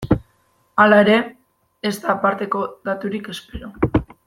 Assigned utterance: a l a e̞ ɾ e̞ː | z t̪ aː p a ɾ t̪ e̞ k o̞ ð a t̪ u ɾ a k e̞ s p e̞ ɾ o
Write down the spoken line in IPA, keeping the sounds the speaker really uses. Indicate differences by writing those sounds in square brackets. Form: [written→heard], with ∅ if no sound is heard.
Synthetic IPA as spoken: a l a e̞ ɾ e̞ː | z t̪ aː p a ɾ t̪ e̞ k o̞ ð a t̪ u ɾ [a→i] k e̞ s p e̞ ɾ o